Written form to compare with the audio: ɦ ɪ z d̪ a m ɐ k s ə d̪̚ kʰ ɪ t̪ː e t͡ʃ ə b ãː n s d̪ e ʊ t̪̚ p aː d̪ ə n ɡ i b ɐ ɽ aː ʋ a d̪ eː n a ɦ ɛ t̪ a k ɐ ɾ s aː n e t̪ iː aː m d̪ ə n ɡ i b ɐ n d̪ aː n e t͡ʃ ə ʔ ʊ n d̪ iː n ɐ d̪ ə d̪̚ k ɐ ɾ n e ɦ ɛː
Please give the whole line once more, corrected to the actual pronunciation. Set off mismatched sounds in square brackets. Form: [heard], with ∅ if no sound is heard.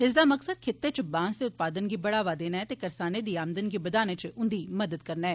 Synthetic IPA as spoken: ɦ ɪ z d̪ a m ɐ k s ə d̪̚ kʰ ɪ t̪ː e t͡ʃ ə b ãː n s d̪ e ʊ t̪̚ p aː d̪ ə n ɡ i b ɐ ɽ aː ʋ a d̪ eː n a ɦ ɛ t̪ [e] k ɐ ɾ s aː n e [d̪] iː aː m d̪ ə n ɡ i b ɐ [∅] d̪ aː n e t͡ʃ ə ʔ ʊ n d̪ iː [m] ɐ d̪ ə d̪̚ k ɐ ɾ n [a] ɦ ɛː